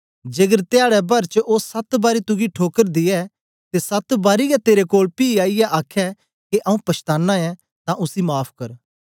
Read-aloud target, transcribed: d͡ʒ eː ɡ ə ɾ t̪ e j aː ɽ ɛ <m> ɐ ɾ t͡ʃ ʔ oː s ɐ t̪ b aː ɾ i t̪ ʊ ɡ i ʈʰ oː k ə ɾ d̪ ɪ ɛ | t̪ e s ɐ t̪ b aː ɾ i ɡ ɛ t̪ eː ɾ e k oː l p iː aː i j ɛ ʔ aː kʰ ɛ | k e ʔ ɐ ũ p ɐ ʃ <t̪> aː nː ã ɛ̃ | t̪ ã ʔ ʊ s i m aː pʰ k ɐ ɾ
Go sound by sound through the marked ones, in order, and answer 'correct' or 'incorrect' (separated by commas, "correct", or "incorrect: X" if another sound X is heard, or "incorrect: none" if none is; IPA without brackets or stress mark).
incorrect: b, correct